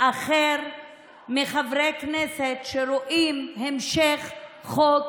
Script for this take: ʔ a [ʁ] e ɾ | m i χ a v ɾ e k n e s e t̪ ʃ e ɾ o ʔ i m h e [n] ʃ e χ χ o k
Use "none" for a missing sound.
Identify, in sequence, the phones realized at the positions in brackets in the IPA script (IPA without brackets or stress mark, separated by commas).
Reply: χ, m